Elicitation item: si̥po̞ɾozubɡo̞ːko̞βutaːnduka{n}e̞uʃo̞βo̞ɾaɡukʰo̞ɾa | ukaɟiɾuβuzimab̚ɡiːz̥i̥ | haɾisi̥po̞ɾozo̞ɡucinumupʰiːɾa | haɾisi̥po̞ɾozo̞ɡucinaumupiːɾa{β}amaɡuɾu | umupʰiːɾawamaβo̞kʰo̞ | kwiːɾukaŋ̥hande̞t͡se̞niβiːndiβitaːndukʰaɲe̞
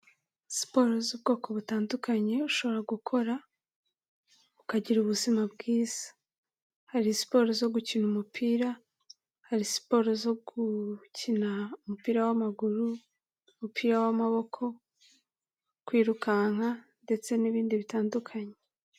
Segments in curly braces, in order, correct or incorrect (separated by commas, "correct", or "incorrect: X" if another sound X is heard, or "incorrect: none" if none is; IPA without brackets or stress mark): incorrect: ɲ, incorrect: w